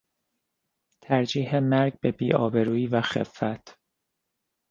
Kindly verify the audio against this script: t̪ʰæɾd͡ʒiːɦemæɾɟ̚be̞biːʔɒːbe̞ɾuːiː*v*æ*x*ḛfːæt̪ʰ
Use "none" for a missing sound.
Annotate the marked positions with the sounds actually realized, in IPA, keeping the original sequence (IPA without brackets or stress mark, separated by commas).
v, x